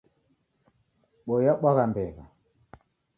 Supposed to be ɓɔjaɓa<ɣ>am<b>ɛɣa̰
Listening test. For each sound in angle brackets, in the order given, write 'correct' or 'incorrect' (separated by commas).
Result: correct, correct